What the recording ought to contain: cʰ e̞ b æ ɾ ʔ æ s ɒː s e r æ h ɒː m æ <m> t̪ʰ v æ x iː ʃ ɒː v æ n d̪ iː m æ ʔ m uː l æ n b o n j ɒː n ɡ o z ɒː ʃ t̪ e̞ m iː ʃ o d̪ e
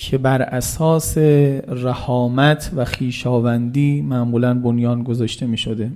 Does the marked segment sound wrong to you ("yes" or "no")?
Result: yes